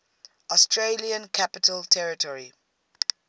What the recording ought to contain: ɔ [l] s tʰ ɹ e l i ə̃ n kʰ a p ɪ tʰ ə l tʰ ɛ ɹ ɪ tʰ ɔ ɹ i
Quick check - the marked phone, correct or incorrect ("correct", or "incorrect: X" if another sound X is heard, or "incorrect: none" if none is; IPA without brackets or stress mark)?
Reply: incorrect: none